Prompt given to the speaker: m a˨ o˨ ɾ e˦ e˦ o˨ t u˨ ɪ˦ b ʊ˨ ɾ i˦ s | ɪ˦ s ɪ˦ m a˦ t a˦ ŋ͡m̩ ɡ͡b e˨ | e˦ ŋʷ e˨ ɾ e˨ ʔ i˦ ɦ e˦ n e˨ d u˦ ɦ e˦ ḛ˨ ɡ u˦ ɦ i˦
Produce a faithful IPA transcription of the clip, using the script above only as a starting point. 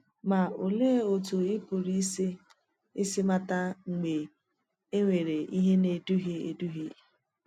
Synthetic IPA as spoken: m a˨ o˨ l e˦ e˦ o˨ t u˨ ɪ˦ p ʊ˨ ɾ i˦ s | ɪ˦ s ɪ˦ m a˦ t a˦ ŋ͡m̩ ɡ͡b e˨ | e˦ ŋʷ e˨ ɾ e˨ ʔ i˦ ɦ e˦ n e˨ d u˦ ɦ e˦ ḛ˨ d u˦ ɦ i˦